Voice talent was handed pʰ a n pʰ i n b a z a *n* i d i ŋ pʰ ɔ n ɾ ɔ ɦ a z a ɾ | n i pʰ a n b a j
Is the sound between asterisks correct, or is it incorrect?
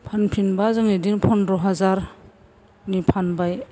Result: incorrect